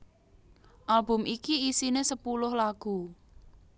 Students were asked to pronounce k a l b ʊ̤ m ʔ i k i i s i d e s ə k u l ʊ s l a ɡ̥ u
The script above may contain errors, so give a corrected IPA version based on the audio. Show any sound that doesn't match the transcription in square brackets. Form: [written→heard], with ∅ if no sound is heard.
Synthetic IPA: [k→ʔ] a l b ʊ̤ m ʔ i k i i s i [d→n] e s ə [k→p] u l ʊ [s→h] l a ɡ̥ u